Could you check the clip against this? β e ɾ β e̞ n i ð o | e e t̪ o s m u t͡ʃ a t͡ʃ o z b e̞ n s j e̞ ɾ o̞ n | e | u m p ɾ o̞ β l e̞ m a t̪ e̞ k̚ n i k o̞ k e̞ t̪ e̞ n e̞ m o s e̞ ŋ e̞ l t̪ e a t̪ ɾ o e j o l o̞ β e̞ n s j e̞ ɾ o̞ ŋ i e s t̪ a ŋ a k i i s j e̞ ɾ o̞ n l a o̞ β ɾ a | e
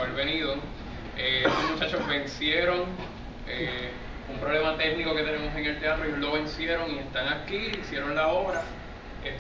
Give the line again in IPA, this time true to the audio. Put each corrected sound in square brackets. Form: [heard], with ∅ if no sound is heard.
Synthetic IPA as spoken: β e ɾ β e̞ n i ð o | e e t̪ o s m u t͡ʃ a t͡ʃ o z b e̞ n s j e̞ ɾ o̞ [ŋ] | e | u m p ɾ o̞ β l e̞ m a t̪ e̞ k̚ n i k o̞ k e̞ t̪ e̞ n e̞ m o s e̞ ŋ e̞ l t̪ e a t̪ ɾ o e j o l o̞ β e̞ n s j e̞ ɾ o̞ ŋ i e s t̪ a ŋ a k i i s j e̞ ɾ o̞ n l a o̞ β ɾ a | e

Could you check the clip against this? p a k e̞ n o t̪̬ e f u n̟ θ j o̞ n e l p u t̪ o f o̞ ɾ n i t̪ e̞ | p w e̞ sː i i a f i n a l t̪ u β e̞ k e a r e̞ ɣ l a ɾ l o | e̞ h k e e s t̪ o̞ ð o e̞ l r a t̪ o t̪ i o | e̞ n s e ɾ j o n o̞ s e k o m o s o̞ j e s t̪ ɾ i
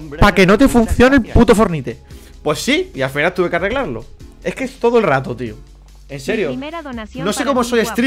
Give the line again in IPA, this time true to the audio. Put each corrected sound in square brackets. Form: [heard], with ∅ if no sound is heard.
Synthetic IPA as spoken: p a k e̞ n o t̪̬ e f u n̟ θ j o̞ n e l p u t̪ o f o̞ ɾ n i t̪ e̞ | p w e̞ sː i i a f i n a l t̪ u β e̞ k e a r e̞ ɣ l a ɾ l o | e̞ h k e e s t̪ o̞ ð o e̞ l r a t̪ o t̪ i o | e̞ n s e ɾ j o n o̞ s e k o m o s o̞ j e s t̪ ɾ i

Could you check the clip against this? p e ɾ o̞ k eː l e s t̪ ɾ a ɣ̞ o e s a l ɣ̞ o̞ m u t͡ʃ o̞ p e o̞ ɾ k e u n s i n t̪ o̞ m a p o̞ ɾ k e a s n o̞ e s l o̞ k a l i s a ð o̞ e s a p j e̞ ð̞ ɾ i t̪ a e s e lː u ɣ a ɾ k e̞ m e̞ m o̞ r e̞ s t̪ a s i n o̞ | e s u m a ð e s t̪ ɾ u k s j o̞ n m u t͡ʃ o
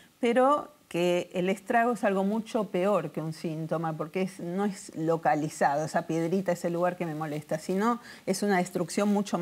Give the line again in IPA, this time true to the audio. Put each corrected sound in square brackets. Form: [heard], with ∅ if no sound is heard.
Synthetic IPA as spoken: p e ɾ o̞ k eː l e s t̪ ɾ a ɣ̞ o e s a l ɣ̞ o̞ m u t͡ʃ o̞ p e o̞ ɾ k e u n s i n t̪ o̞ m a p o̞ ɾ k e [e] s n o̞ e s l o̞ k a l i s a ð o̞ e s a p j e̞ ð̞ ɾ i t̪ a e s e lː u ɣ a ɾ k e̞ m e̞ m o̞ [l] e̞ s t̪ a s i n o̞ | e s u [n] a ð e s t̪ ɾ u k s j o̞ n m u t͡ʃ o

